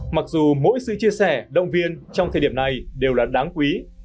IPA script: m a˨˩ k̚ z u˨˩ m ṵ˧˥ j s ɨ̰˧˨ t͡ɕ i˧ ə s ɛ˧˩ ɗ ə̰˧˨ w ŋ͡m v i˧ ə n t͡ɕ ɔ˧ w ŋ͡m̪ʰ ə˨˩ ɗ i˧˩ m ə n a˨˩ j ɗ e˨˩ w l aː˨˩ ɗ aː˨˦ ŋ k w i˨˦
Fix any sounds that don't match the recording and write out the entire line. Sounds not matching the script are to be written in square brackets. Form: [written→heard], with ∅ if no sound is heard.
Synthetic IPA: m a˨˩ k̚ z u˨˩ m [ṵ˧˥→o̰˧˥] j s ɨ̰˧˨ t͡ɕ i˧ ə s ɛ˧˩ ɗ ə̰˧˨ w ŋ͡m v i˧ ə n t͡ɕ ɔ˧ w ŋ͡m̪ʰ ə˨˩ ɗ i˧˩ [m→∅] ə n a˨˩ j ɗ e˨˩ w l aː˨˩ ɗ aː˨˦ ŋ k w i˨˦